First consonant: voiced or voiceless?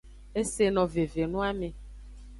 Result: voiceless